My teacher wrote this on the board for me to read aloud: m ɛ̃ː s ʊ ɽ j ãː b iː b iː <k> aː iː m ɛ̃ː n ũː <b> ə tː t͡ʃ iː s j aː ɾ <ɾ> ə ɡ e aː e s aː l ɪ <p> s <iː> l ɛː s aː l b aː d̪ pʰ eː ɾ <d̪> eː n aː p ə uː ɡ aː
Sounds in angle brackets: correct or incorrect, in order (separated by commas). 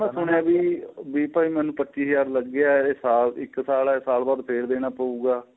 incorrect, incorrect, incorrect, incorrect, incorrect, correct